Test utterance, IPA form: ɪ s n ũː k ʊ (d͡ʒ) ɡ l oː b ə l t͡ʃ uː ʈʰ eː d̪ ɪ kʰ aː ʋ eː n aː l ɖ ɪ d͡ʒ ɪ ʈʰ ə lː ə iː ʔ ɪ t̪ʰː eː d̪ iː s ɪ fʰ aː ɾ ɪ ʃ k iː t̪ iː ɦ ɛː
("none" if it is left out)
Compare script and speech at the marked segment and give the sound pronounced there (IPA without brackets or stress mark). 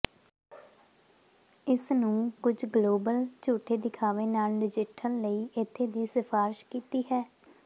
d͡ʒ